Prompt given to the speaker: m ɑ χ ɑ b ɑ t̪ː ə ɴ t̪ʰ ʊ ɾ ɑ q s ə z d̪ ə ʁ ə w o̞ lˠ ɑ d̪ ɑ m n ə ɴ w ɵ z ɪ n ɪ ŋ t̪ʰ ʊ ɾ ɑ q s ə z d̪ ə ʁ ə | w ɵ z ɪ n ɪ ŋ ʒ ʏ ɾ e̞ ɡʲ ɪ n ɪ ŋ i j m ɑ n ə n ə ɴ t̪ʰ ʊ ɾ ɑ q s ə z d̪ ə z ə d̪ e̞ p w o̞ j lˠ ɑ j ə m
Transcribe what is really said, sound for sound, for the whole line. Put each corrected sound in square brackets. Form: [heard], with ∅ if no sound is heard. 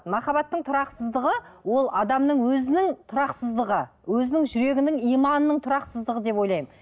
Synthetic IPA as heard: m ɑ χ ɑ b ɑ t̪ː ə ɴ t̪ʰ ʊ ɾ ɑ q s ə z d̪ ə ʁ ə w o̞ lˠ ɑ d̪ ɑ m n ə ɴ w ɵ z ɪ n ɪ ŋ t̪ʰ ʊ ɾ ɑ q s ə z d̪ ə ʁ ə | w ɵ z ɪ n ɪ ŋ ʒ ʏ ɾ e̞ ɡʲ ɪ n ɪ ŋ i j m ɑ n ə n ə ɴ t̪ʰ ʊ ɾ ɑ q s ə z d̪ ə [ʁ] ə d̪ e̞ p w o̞ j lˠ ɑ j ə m